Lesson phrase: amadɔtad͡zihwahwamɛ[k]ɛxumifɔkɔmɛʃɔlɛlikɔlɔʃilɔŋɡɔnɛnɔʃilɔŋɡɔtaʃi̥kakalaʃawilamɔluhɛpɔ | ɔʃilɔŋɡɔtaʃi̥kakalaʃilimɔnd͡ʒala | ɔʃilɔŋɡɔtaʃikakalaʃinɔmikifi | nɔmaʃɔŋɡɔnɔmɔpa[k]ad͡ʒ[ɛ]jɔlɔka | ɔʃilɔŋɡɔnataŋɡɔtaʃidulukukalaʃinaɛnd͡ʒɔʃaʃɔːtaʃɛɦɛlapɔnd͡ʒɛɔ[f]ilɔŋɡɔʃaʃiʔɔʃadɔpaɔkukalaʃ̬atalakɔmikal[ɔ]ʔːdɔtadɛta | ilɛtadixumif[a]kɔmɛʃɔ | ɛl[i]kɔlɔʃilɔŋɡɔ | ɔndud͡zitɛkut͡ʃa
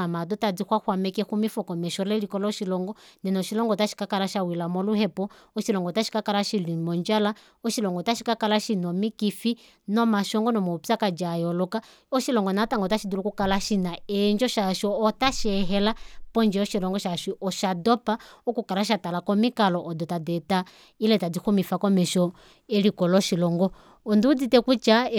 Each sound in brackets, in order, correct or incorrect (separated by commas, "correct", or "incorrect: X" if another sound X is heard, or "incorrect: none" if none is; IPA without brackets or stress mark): correct, correct, incorrect: a, incorrect: ʃ, correct, correct, correct